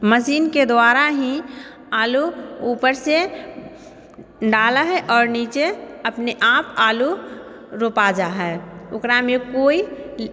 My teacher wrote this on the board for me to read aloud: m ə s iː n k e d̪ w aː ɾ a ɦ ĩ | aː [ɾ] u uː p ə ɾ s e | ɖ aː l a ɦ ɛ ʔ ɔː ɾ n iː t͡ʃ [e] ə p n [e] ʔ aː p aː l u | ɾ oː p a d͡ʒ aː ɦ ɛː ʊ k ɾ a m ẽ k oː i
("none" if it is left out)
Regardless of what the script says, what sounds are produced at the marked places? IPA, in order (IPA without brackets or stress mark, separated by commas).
l, e, e